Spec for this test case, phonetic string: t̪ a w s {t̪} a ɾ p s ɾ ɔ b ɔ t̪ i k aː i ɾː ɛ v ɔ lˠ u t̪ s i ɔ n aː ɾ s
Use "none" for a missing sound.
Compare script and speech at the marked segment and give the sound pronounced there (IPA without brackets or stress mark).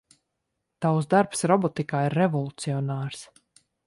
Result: d̪